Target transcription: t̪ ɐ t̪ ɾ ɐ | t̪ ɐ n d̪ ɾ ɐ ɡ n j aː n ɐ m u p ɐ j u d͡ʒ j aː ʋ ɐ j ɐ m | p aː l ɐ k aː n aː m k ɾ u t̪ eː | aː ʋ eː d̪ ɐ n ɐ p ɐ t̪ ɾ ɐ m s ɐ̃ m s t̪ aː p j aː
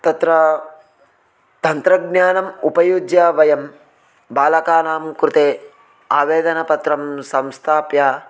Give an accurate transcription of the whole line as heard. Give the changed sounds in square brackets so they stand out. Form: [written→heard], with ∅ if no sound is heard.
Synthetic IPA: t̪ ɐ t̪ ɾ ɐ | t̪ ɐ n [d̪→t̪] ɾ ɐ ɡ n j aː n ɐ m u p ɐ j u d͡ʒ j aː ʋ ɐ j ɐ m | [p→b] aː l ɐ k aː n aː m k ɾ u t̪ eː | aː ʋ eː d̪ ɐ n ɐ p ɐ t̪ ɾ ɐ m s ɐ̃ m s [t̪→t̪ʰ] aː p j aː